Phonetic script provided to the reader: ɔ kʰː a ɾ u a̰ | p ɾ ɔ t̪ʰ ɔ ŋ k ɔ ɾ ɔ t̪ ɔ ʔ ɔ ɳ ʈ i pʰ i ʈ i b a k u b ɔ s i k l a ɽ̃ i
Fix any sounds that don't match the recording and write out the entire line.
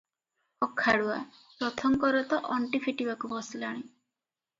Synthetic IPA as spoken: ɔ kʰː a ɽ u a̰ | p ɾ ɔ t̪ʰ ɔ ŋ k ɔ ɾ ɔ t̪ ɔ ʔ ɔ ɳ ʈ i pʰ i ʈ i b a k u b ɔ s i l a ɽ̃ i